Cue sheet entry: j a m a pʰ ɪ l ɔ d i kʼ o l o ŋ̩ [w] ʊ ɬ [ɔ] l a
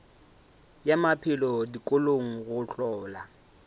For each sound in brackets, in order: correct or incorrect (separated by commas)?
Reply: incorrect, incorrect